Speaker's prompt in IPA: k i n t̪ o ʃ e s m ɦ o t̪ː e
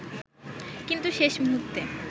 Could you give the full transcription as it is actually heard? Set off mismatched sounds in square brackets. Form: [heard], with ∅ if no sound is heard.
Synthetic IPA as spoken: k i n t̪ [u] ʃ e [ʃ] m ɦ [u] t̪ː e